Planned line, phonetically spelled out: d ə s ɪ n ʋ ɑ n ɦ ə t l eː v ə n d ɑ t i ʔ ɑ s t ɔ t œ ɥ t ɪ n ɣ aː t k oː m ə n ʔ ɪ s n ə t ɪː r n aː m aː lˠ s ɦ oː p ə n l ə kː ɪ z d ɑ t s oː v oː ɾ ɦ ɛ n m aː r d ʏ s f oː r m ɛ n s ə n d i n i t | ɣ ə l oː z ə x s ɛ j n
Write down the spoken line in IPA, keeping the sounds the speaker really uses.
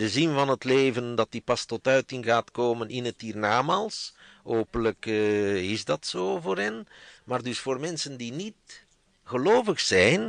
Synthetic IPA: d ə z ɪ n v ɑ n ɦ ə t l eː v ə n d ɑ t i p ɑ s t ɔ t œ ɥ t ɪ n ɣ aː t k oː m ə n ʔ ɪ n ə t iː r n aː m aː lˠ s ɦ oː p ə n l ə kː ɪ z d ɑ t s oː v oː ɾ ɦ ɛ n m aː r d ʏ s f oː r m ɛ n s ə n d i n i t | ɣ ə l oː v ə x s ɛ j n